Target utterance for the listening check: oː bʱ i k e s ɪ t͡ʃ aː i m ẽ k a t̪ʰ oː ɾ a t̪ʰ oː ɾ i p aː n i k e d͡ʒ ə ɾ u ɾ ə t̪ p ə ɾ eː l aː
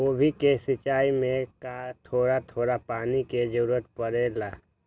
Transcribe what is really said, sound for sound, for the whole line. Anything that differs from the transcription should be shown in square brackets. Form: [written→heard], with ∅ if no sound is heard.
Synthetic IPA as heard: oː bʱ i k e s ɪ t͡ʃ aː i m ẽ k a t̪ʰ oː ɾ a t̪ʰ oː ɾ [i→a] p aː n i k e d͡ʒ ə ɾ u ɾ ə t̪ p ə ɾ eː l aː